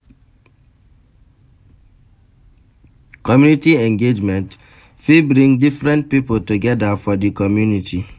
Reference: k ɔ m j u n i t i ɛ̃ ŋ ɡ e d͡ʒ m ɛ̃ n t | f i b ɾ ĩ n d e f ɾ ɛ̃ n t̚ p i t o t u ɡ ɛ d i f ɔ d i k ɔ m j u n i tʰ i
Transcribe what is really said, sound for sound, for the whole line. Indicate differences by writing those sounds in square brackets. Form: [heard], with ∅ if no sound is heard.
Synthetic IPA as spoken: k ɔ m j u n i t i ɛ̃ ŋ ɡ e d͡ʒ m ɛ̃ n t | f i b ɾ ĩ [ŋ] d [i] f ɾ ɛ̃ n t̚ p i [p] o t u ɡ ɛ d [a] f ɔ d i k ɔ m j u n i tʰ i